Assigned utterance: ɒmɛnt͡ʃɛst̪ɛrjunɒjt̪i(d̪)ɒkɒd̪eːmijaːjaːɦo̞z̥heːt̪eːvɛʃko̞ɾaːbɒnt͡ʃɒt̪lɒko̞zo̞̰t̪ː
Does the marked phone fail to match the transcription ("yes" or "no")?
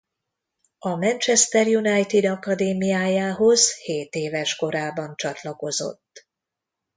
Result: no